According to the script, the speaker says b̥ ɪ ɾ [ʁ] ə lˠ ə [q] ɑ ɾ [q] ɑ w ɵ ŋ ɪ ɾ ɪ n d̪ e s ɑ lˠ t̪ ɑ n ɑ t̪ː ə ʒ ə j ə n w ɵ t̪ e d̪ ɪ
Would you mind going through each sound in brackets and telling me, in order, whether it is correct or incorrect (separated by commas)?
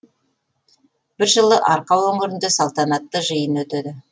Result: incorrect, incorrect, correct